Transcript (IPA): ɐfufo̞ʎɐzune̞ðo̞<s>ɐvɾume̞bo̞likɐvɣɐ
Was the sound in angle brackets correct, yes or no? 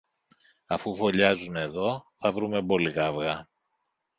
no